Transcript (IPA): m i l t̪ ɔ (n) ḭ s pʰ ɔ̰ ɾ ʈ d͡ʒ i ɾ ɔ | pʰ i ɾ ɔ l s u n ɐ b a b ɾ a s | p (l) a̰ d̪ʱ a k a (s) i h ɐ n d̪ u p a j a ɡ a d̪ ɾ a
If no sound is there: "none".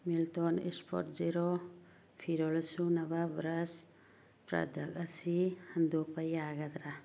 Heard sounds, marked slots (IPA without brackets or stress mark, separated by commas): n, ɾ, s